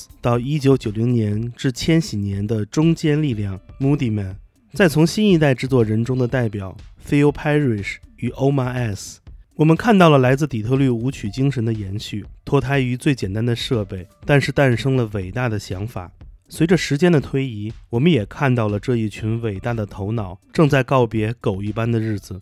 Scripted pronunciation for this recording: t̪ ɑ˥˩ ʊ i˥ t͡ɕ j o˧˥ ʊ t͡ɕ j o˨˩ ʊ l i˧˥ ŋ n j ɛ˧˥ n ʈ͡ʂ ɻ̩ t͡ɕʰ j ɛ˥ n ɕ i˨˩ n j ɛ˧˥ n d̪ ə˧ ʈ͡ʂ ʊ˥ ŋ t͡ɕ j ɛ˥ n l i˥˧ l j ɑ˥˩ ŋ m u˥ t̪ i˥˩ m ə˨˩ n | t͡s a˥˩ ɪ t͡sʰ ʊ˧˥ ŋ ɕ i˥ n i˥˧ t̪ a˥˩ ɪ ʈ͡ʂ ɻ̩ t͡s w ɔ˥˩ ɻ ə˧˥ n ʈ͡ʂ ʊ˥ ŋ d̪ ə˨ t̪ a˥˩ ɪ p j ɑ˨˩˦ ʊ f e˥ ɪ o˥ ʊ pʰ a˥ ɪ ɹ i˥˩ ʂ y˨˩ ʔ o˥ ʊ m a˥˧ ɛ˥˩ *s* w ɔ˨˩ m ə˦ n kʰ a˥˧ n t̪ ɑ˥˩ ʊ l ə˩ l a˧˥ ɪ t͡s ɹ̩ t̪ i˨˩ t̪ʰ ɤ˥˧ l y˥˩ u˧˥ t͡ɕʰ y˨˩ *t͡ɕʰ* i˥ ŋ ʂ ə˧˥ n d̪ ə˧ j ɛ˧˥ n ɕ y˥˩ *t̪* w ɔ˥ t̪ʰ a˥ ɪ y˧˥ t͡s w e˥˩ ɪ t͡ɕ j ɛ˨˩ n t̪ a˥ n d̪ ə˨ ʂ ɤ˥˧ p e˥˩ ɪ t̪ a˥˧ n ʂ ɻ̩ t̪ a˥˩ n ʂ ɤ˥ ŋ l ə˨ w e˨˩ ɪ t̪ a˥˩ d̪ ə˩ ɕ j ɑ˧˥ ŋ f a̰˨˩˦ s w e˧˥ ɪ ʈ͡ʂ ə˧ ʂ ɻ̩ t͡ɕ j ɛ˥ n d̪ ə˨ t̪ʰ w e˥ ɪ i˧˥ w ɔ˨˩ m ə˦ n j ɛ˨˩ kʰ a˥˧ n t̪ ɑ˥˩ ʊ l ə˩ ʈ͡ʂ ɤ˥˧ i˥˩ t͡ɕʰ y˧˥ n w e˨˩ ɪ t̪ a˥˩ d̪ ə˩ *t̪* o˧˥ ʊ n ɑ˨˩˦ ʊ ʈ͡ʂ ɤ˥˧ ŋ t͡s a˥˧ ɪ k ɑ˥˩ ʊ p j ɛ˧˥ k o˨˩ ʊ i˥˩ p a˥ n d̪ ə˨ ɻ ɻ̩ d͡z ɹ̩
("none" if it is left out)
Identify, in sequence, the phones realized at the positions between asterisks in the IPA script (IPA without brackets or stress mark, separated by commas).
s, t͡ɕ, t̪ʰ, t̪ʰ